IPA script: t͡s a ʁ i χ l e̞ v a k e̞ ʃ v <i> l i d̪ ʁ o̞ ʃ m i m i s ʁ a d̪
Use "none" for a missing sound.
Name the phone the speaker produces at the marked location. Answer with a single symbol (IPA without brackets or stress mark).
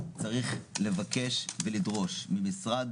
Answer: e